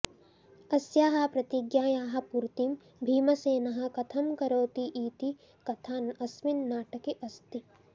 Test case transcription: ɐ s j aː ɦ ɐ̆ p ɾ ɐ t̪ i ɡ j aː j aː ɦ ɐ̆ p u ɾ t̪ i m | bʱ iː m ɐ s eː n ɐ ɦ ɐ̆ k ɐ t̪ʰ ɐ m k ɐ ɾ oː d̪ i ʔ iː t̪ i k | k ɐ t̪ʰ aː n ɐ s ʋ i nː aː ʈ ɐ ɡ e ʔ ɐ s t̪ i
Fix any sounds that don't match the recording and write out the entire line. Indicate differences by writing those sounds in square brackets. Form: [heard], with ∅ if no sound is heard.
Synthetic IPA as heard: ɐ s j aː ɦ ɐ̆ p ɾ ɐ t̪ i ɡ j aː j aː ɦ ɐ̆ p u ɾ t̪ i m | bʱ iː m ɐ s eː n ɐ ɦ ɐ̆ k ɐ t̪ʰ ɐ m k ɐ ɾ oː [t̪] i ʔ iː t̪ i [∅] | k ɐ t̪ʰ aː n ɐ s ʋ i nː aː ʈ ɐ [k] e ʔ ɐ s t̪ i